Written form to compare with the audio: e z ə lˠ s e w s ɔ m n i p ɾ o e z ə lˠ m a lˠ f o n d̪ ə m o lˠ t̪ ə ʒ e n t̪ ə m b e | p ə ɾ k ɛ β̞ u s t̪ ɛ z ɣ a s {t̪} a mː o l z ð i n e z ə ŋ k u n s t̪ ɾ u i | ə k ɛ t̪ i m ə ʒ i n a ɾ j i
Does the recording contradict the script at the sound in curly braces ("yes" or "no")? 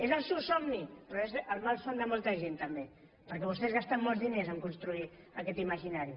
no